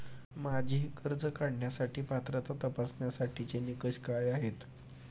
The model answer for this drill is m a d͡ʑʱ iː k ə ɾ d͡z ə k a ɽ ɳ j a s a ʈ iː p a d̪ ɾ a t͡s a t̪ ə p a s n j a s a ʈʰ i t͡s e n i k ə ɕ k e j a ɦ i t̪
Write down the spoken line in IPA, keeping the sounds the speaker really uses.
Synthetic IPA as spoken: m a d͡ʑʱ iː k ə ɾ d͡z ə k a ɽ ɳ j a s a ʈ iː p a t̪ ɾ a t͡s a t̪ ə p a s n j a s a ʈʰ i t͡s e n i k ə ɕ k a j a ɦ e t̪